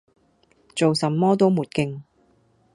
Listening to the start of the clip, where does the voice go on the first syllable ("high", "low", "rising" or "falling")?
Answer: low